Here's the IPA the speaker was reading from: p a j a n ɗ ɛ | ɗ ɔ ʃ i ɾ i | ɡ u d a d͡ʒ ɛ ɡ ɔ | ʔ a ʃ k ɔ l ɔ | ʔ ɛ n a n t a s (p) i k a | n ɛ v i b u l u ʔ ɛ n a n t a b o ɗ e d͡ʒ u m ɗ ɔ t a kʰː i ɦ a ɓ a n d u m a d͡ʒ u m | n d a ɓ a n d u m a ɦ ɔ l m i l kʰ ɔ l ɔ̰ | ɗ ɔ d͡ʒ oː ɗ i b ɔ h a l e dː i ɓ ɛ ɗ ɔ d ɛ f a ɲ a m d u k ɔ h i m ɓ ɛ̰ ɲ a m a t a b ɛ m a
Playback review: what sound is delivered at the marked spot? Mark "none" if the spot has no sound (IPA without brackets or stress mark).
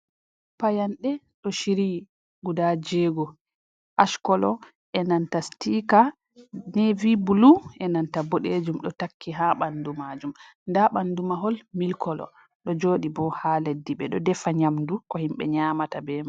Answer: t